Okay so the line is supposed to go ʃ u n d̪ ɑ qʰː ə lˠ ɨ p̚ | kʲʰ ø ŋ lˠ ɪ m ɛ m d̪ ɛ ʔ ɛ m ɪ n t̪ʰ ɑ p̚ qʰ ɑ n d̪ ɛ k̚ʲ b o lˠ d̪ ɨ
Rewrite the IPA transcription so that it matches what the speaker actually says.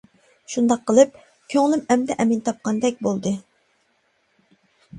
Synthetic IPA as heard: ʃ u n d̪ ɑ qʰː ə lˠ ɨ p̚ | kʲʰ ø ŋ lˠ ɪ m ɛ m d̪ ɛ ʔ ɛ m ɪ n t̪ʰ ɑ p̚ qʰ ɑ n d̪ ɛ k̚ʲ b o lˠ d̪ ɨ